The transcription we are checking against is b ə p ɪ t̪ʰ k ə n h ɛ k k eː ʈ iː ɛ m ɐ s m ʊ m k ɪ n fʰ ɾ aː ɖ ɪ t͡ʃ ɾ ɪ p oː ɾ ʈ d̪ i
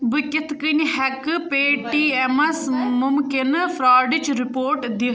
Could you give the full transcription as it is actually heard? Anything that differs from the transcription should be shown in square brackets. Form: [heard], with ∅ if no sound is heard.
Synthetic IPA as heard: b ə [k] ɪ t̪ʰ k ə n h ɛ k [p] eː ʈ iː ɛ m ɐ s m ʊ m k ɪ n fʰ ɾ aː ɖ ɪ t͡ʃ ɾ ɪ p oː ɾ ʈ d̪ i